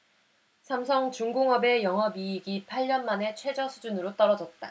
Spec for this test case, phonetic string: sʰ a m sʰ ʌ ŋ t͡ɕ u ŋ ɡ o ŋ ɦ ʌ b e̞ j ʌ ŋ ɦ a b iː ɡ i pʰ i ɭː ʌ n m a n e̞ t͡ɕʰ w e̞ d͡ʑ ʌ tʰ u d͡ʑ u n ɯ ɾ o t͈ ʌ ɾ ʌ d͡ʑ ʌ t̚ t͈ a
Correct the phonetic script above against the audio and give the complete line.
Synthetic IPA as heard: sʰ a m sʰ ʌ ŋ t͡ɕ u ŋ ɡ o ŋ ɦ ʌ b e̞ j ʌ ŋ ɦ ʌ b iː ɡ i pʰ a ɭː ʌ n m a n e̞ t͡ɕʰ w e̞ d͡ʑ ʌ sʰ u d͡ʑ u n ɯ ɾ o t͈ ʌ ɾ ʌ d͡ʑ ʌ t̚ t͈ a